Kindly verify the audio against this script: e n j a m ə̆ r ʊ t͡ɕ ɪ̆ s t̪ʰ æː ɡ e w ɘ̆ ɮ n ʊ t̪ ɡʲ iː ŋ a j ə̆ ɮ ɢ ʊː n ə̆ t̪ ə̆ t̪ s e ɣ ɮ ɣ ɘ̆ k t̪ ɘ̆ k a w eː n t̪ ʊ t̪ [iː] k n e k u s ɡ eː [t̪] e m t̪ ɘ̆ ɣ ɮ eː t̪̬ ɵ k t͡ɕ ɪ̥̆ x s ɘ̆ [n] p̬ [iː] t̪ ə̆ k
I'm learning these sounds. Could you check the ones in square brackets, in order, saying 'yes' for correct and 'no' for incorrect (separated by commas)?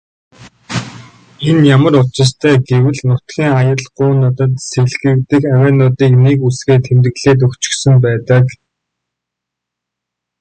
yes, no, no, no